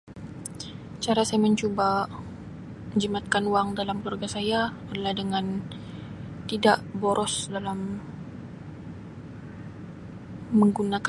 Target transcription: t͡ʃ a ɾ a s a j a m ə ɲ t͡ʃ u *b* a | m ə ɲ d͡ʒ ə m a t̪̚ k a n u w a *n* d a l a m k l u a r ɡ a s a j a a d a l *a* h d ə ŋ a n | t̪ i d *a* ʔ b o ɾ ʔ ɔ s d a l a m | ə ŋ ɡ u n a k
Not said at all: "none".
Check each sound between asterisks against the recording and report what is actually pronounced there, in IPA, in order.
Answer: b, ŋ, a, a

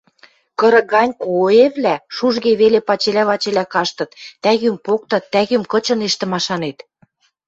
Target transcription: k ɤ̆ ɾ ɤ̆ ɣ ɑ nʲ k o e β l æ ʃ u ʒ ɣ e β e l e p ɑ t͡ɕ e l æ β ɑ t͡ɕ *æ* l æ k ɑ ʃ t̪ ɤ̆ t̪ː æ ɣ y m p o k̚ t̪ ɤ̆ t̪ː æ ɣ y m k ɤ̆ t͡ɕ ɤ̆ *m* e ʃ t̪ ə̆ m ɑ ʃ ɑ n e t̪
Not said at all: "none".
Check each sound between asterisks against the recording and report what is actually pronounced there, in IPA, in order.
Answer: e, n

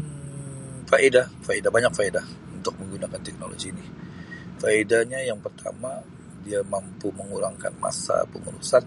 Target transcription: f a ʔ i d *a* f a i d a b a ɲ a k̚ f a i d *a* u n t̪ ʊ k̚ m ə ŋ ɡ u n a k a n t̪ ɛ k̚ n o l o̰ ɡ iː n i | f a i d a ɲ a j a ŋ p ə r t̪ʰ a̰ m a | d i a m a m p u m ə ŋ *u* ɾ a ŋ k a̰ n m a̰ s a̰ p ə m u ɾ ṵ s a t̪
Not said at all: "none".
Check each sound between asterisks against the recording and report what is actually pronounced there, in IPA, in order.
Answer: a, a, u

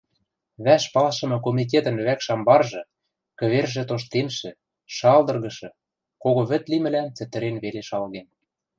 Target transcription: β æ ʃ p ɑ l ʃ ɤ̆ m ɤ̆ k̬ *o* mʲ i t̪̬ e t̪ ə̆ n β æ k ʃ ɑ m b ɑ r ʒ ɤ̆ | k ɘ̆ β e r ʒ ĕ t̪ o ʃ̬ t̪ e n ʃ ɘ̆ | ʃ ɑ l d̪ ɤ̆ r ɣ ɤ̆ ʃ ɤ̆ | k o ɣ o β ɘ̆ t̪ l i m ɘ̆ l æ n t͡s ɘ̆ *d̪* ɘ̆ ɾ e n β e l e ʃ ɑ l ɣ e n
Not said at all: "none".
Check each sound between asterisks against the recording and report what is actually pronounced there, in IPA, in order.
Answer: o, t̪

